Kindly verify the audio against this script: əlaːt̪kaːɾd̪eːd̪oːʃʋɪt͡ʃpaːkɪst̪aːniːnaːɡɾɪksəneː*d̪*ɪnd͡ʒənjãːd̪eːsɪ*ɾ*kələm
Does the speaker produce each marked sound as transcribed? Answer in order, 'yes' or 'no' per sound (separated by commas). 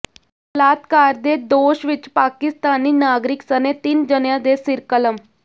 no, yes